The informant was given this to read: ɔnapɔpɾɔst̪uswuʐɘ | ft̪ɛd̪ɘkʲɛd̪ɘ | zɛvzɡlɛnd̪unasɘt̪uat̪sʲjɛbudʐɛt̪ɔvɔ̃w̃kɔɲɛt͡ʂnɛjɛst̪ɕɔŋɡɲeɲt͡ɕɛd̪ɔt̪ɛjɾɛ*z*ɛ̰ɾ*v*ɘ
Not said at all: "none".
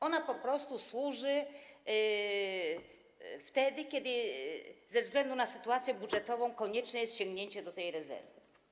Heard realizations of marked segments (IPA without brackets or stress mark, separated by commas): z, v